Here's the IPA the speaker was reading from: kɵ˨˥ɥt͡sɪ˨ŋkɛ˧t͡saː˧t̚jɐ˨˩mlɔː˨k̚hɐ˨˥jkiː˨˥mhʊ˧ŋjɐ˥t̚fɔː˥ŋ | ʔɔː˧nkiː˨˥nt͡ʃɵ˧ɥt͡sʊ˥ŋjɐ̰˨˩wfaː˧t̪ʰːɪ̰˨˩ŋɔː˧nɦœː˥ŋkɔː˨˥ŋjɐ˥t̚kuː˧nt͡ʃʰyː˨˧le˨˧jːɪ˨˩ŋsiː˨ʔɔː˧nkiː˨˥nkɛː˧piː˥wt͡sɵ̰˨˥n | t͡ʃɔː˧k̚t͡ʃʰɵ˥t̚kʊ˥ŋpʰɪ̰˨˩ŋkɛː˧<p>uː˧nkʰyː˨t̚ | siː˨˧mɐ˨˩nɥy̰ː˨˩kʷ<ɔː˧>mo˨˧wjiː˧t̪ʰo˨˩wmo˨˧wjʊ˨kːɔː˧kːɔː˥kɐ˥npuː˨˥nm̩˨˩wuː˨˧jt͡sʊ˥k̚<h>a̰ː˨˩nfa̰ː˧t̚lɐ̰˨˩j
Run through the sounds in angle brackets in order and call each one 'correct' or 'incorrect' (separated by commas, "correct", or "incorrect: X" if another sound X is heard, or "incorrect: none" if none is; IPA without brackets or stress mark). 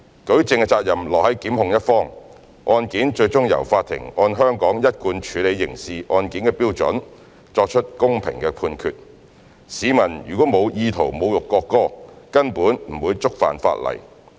incorrect: pʰ, incorrect: ɔː˨˥, incorrect: f